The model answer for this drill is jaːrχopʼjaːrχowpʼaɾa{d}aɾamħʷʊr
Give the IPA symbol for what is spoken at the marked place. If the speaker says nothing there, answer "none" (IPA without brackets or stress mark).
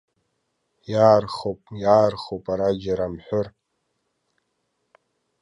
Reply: d͡ʒ